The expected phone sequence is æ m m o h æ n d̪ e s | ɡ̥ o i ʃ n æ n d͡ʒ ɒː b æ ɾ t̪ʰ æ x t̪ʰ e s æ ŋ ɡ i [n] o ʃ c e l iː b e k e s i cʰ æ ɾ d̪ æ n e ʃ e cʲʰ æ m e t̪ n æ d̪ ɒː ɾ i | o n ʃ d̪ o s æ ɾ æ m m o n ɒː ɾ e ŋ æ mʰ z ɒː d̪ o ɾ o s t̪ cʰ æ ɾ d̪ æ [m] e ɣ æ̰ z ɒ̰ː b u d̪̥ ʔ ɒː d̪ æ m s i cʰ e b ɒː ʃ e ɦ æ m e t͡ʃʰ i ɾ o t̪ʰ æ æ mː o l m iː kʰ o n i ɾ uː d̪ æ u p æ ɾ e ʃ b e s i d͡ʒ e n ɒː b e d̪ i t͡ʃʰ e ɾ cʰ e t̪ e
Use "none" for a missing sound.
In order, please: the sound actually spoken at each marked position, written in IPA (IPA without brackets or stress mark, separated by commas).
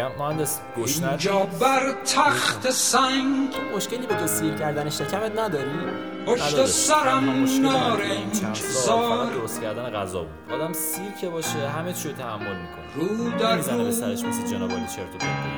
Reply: m, n